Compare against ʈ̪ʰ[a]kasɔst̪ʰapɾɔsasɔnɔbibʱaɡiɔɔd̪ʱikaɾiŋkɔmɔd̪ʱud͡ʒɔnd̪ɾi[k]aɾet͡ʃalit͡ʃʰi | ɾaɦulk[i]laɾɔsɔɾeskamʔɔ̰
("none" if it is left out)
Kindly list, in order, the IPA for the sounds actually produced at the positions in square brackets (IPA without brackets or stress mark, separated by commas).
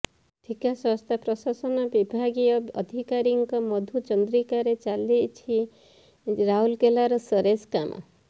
i, k, e